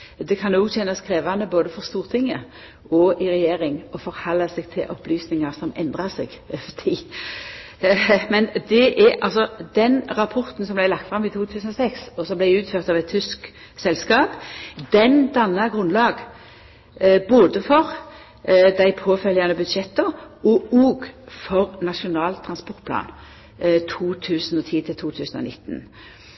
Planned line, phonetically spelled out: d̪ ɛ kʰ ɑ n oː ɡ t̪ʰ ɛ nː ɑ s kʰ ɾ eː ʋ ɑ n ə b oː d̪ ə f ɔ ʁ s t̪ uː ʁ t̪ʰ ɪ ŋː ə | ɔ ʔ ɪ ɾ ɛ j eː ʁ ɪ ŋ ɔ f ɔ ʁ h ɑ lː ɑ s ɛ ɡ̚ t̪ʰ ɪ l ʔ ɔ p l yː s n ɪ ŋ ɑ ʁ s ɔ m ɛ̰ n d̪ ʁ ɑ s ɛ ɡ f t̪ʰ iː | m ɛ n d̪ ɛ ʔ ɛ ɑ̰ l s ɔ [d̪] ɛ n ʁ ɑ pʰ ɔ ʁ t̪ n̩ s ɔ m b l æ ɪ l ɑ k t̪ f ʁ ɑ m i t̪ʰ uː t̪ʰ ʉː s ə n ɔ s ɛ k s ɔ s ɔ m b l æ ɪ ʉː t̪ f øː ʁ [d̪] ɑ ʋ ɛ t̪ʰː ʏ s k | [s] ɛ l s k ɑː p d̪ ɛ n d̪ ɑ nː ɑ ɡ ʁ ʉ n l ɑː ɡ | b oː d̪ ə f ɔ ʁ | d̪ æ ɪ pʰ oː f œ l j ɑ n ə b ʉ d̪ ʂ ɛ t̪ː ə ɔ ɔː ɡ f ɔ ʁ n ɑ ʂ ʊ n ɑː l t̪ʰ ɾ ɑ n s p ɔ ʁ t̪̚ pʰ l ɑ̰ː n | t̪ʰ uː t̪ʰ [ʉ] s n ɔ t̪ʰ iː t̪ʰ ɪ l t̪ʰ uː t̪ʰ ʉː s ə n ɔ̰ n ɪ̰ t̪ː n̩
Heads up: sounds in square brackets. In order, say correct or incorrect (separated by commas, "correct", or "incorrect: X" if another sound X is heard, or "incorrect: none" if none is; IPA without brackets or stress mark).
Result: correct, incorrect: t̪, correct, incorrect: ʉː